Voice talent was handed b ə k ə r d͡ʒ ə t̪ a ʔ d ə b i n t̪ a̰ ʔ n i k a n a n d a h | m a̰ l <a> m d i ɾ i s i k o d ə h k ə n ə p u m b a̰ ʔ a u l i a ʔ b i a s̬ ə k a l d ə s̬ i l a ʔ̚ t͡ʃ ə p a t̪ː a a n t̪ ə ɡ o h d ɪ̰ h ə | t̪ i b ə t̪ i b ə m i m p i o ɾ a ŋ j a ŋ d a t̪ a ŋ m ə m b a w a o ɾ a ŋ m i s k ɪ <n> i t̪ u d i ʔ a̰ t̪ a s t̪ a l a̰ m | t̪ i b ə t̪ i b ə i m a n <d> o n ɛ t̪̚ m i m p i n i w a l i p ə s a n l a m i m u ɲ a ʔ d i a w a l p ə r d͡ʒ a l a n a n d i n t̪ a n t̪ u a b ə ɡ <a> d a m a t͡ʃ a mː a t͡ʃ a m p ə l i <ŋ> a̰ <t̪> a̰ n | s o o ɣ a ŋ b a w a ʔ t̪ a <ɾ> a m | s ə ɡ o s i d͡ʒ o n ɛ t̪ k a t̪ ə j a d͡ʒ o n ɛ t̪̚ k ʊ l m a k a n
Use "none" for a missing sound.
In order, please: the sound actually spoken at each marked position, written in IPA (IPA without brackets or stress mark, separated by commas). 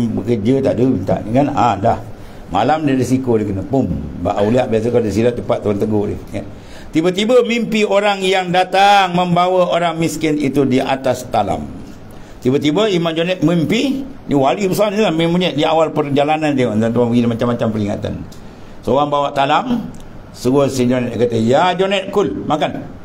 a, n, d͡ʒ, i, ŋ, t̪, l